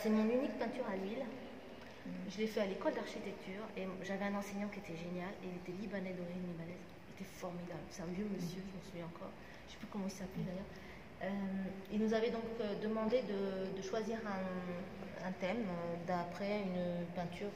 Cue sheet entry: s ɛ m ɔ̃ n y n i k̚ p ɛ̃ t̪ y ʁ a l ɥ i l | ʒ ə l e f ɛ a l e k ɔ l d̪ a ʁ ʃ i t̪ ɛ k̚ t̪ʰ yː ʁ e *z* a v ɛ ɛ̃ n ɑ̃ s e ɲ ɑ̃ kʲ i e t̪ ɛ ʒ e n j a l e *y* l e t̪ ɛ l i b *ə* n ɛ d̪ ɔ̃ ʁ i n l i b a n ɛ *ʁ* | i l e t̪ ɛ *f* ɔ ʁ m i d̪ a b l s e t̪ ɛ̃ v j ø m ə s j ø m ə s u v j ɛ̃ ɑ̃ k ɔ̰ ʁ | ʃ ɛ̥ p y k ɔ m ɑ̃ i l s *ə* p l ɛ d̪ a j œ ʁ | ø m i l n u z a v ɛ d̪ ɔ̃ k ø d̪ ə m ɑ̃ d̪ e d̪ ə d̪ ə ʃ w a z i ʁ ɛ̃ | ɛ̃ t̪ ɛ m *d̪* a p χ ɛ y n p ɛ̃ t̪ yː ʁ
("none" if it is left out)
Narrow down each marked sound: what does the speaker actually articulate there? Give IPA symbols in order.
ʒ, i, a, z, f, a, d̪

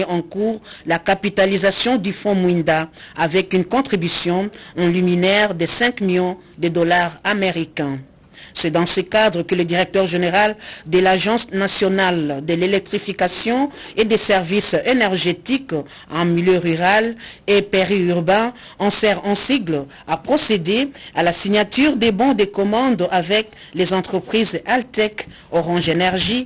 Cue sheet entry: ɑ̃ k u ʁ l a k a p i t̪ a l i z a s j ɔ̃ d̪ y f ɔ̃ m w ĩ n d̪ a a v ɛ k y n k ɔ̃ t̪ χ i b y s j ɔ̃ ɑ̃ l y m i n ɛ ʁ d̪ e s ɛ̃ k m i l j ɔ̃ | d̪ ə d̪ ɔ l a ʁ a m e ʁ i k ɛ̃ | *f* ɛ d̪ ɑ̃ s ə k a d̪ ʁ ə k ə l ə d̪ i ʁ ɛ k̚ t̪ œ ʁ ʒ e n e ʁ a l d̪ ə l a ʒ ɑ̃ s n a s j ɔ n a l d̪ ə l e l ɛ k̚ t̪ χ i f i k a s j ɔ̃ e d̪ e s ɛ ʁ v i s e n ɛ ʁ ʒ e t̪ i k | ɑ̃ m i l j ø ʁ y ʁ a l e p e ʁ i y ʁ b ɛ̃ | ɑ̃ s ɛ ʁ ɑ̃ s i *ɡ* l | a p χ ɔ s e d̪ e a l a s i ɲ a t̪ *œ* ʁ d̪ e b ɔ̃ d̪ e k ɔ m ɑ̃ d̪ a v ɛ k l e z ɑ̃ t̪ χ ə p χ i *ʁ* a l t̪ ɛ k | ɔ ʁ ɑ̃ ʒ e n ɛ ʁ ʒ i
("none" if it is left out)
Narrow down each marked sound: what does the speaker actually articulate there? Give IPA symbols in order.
s, ɡ, y, z

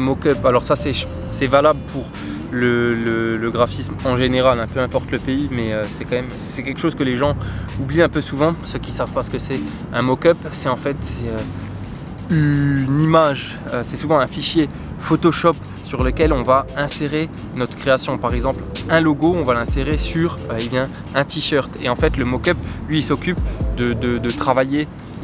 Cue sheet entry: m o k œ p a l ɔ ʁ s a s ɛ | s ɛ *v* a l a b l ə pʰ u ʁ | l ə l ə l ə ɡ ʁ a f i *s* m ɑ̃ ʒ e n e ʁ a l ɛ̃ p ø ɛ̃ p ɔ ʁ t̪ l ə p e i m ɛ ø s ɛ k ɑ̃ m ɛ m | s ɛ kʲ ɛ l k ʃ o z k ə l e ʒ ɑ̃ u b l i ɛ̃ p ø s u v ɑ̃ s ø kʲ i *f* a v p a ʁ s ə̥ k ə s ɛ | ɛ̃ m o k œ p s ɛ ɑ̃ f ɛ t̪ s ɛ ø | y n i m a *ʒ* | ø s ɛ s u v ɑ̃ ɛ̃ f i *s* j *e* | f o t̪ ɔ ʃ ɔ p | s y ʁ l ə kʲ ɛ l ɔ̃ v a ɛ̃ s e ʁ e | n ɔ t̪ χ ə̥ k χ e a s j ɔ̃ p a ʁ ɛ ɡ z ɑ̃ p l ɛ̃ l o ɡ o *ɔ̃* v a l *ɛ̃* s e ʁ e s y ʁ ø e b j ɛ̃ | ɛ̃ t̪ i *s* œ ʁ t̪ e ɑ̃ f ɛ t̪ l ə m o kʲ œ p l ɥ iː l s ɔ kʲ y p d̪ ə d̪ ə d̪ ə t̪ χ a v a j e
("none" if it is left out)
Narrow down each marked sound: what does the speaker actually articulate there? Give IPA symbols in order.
v, s, s, ʒ, ʃ, e, ɔ̃, ɛ̃, ʃ

